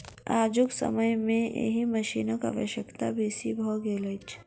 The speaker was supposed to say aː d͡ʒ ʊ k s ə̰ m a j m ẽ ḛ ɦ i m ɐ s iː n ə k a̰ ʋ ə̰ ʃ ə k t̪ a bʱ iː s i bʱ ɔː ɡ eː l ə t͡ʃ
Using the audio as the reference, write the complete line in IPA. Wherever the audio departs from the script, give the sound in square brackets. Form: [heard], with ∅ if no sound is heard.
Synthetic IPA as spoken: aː d͡ʒ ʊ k s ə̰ m [ə] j m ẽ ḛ ɦ i m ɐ [ʃ] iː n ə k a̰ ʋ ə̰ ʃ ə k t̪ a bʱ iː s i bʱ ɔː ɡ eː l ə t͡ʃ